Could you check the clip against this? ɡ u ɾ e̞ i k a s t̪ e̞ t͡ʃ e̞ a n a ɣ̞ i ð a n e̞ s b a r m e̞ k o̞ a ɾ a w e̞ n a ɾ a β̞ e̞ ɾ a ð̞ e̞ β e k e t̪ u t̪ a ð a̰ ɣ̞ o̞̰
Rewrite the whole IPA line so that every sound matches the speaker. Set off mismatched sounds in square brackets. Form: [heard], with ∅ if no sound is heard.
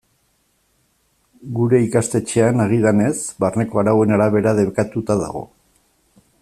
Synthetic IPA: ɡ u ɾ e̞ i k a s t̪ e̞ t͡ʃ e̞ a n a ɣ̞ i ð a n e̞ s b a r [n] e̞ k o̞ a ɾ a w e̞ n a ɾ a β̞ e̞ ɾ a ð̞ e̞ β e k [a] t̪ u t̪ a ð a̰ ɣ̞ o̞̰